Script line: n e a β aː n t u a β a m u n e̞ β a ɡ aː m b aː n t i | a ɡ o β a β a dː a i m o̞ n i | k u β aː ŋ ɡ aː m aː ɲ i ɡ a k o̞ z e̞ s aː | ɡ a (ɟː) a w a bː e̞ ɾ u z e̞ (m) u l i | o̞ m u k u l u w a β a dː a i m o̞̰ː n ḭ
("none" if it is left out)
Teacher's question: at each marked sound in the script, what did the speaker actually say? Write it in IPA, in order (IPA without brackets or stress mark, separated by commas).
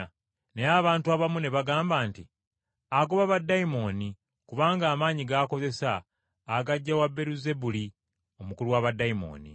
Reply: ɟː, b